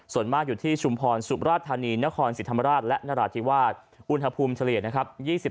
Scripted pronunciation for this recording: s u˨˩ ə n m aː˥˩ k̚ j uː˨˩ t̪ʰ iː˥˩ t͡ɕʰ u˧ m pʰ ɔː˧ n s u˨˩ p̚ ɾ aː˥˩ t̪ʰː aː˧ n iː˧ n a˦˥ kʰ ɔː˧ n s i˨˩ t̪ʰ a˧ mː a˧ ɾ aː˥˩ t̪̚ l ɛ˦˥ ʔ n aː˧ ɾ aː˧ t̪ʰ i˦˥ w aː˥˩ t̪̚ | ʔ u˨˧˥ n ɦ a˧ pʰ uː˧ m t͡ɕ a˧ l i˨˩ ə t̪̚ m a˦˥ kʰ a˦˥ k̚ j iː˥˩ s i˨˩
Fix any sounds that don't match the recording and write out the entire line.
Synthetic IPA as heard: s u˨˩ ə n m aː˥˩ k̚ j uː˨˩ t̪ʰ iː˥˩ t͡ɕʰ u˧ m pʰ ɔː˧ n s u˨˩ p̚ ɾ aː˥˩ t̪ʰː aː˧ n iː˧ n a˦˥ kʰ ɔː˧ n s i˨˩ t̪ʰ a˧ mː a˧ ɾ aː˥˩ t̪̚ l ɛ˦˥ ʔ n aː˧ ɾ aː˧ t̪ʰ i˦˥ w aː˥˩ t̪̚ | ʔ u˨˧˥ n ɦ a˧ pʰ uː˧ m t͡ɕʰ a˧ l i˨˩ ə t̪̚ n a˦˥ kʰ a˦˥ p̚ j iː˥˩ s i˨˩